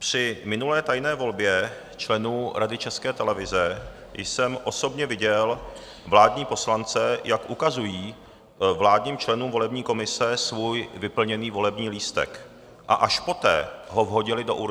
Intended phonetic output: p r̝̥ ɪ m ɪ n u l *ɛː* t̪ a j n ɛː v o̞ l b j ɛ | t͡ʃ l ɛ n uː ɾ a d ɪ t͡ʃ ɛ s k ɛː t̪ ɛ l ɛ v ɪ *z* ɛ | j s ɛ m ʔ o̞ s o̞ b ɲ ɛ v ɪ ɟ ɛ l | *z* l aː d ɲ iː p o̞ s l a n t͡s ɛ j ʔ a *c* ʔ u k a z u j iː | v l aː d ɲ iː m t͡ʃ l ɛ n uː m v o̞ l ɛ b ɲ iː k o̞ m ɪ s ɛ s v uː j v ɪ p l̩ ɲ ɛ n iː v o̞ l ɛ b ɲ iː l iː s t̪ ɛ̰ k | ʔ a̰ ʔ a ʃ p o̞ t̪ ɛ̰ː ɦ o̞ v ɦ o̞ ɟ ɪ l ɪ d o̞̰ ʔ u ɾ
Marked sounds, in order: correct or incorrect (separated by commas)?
correct, correct, incorrect, incorrect